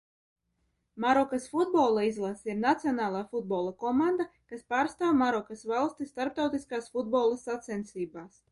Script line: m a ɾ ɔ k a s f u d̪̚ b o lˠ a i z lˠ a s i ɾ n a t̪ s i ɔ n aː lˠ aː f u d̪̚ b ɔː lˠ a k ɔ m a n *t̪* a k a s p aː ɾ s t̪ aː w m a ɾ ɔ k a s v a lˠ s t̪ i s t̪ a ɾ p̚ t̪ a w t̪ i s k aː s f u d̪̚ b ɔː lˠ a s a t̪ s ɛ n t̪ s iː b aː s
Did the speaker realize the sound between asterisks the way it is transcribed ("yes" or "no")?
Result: no